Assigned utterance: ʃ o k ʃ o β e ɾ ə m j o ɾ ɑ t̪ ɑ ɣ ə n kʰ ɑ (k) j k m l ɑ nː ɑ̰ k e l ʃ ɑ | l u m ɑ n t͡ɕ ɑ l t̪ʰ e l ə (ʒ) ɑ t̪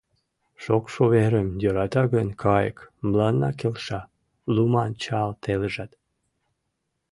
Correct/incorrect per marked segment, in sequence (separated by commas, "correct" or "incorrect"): incorrect, correct